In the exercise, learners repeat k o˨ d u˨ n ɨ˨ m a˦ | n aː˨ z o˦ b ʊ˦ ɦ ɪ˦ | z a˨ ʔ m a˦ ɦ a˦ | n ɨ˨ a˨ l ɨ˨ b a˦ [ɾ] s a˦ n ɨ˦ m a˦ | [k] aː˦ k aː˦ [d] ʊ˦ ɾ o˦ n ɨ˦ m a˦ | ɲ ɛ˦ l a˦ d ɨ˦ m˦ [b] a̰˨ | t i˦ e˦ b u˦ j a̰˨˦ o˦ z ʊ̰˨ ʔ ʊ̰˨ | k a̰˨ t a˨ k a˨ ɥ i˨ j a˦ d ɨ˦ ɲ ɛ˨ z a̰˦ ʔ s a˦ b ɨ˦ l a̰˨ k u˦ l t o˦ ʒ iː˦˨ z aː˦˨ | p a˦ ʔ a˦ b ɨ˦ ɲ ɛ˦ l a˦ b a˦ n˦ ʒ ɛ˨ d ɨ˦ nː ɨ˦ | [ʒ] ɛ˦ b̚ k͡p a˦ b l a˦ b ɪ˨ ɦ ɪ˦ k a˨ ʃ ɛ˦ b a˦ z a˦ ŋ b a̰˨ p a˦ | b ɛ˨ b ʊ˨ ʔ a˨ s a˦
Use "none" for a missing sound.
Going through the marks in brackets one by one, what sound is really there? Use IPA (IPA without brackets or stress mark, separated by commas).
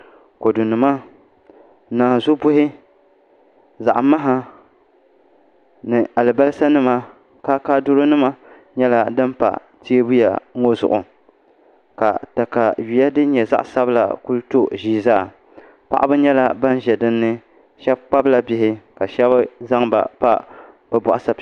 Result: l, k, d, p, ʃ